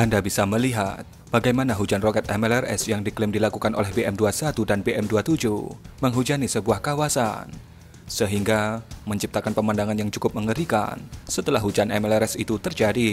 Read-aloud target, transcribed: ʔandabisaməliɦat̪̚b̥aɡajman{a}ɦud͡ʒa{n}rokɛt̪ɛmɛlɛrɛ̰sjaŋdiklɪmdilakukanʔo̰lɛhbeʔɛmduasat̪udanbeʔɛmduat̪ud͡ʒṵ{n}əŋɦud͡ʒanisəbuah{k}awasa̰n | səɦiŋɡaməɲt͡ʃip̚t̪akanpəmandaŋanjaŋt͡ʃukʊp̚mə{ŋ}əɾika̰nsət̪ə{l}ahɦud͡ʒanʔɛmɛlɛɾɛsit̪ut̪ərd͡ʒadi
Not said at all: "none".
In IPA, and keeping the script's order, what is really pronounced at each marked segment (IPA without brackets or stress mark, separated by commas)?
a, n, m, k, ŋ, l